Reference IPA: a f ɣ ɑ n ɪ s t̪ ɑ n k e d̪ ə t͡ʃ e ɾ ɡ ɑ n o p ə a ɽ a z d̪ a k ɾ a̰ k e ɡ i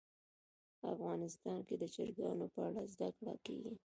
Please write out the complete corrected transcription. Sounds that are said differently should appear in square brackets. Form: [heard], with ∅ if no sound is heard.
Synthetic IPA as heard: a f ɣ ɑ n ɪ s t̪ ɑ n k e d̪ ə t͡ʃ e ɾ ɡ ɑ n o p ə a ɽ a z d̪ a k [ɽ] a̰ k e ɡ i